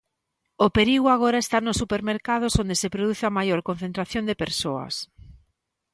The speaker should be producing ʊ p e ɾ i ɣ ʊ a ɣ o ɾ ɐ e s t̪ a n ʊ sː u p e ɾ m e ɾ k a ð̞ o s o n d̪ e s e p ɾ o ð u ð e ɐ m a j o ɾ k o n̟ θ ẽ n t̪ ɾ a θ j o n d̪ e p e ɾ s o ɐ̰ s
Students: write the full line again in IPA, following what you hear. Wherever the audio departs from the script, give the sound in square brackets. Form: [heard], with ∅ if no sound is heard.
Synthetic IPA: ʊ p e ɾ i ɣ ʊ a ɣ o ɾ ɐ e s t̪ a n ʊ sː u p e ɾ m e ɾ k a ð̞ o s o n d̪ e s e p ɾ o ð u [θ] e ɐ m a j o ɾ k o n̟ θ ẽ n t̪ ɾ a θ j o n d̪ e p e ɾ s o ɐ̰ s